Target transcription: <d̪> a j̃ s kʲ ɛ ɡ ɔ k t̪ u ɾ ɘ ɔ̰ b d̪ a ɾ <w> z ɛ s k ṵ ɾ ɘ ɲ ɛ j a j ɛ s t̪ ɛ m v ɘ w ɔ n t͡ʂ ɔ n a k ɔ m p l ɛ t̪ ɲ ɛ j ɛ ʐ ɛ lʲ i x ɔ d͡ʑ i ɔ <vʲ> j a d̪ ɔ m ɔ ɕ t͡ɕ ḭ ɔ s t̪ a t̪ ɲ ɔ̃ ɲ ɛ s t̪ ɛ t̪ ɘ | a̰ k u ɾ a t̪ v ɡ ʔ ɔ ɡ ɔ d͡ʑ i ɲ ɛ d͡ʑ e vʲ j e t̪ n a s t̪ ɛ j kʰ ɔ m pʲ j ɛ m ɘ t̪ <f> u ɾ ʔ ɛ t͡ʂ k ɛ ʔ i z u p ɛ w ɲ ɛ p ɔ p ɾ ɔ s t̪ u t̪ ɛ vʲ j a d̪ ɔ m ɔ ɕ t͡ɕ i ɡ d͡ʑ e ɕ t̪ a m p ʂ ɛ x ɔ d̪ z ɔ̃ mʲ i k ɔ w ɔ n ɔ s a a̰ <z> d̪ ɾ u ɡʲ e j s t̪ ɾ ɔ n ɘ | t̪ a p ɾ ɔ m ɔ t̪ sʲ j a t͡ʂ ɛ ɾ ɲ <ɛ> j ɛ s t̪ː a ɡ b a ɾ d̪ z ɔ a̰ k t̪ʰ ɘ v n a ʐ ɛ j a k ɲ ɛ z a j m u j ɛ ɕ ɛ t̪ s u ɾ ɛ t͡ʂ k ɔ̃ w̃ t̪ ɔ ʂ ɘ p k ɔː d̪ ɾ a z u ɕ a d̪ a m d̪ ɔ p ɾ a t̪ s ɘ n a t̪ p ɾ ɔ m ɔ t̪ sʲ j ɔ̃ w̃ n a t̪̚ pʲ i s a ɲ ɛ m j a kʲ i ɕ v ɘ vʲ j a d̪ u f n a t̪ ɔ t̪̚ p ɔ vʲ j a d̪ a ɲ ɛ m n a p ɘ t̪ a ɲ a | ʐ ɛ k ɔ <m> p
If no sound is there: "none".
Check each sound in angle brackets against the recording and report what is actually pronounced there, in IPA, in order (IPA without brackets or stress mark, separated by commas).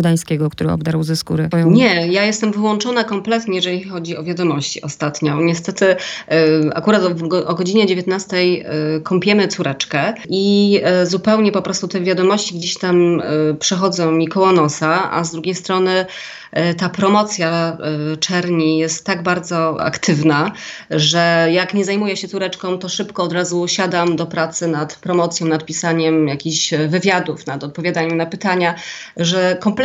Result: d̪, w, vʲ, s, z, i, m